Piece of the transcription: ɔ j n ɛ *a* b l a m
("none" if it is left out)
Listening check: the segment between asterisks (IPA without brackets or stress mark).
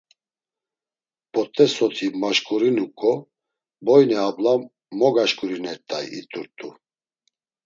a